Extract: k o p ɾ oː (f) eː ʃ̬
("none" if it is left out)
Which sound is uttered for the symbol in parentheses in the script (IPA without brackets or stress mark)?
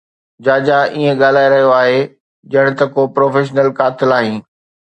f